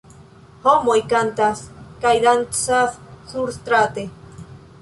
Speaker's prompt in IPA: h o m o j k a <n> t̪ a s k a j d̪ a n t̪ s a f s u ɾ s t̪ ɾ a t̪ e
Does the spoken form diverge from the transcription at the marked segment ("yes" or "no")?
no